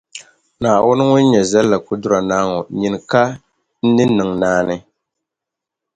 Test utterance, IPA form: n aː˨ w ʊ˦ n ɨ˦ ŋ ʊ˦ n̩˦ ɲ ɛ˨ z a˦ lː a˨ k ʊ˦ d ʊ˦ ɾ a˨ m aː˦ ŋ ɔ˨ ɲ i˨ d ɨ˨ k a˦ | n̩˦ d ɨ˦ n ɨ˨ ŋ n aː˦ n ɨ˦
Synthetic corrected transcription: n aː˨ w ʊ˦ n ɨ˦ ŋ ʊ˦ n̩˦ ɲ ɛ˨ z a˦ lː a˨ k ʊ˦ d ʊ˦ ɾ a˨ n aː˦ ŋ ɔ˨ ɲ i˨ n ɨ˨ k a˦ | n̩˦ n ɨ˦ n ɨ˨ ŋ n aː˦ n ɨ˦